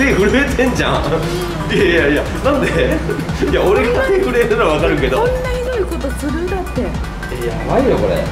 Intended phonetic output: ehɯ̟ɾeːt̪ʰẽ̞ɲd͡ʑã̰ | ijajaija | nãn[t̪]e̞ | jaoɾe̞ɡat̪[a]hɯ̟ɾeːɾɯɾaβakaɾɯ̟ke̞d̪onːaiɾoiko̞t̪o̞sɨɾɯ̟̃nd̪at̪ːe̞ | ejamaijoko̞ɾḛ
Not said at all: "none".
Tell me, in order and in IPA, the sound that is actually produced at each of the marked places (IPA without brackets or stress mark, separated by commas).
d̪, e